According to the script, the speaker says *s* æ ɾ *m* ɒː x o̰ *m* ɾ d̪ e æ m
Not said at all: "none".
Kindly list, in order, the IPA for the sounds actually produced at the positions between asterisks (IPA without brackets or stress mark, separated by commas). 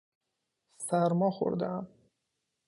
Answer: s, m, none